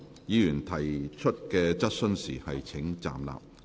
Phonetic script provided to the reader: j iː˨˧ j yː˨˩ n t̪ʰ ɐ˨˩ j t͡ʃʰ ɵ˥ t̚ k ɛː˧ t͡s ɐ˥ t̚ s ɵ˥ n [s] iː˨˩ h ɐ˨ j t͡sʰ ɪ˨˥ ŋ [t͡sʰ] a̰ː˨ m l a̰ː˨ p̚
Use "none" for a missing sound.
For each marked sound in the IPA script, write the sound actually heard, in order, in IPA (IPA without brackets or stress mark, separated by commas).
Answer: s, t͡s